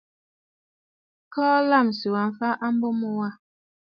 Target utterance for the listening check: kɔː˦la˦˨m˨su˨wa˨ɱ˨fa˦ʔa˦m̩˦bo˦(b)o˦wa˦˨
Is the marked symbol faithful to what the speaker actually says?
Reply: no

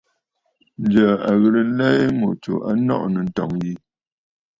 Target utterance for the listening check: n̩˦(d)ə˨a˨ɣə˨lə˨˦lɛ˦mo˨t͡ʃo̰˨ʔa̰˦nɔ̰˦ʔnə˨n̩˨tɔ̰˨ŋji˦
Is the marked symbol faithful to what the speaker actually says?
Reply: no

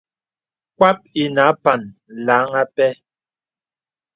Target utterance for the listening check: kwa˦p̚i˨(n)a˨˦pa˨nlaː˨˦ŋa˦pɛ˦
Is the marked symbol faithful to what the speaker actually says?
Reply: yes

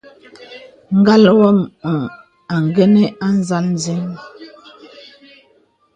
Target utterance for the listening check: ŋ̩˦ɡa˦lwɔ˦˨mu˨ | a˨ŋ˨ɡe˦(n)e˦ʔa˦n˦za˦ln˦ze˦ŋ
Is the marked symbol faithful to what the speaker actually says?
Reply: yes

